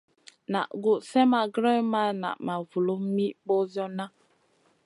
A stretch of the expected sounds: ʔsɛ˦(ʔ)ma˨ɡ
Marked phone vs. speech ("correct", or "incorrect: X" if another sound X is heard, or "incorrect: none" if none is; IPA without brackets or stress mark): incorrect: none